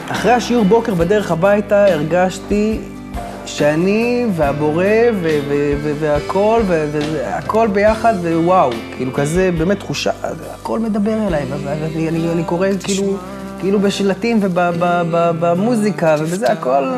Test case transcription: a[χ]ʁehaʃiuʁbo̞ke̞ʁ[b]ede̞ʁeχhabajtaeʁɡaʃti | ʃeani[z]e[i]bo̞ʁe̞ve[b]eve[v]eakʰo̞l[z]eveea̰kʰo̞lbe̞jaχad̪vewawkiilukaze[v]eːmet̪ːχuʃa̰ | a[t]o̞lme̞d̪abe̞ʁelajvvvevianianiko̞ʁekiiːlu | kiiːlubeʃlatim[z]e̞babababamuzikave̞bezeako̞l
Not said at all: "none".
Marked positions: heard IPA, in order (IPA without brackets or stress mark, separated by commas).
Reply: χ, b, v, a, v, v, v, b, k, v